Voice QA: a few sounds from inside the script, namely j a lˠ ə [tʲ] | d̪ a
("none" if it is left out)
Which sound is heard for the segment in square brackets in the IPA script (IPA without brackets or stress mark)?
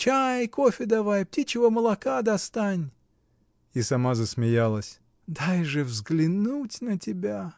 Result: sʲ